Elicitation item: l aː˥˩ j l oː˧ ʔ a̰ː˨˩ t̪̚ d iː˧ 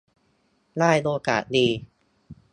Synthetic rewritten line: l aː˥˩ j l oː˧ k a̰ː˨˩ t̪̚ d iː˧